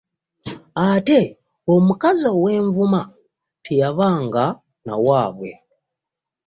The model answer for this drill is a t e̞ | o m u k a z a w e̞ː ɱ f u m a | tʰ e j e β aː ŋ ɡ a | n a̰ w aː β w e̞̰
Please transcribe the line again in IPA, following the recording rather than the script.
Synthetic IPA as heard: a t e̞ | o m u k a z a w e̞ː ɱ v u m a | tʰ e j a β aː ŋ ɡ a | n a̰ w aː β w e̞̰